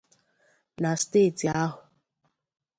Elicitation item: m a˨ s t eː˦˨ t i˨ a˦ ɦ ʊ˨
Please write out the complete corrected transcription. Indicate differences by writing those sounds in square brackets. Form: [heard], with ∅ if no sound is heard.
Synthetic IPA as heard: [n] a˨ s t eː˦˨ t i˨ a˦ ɦ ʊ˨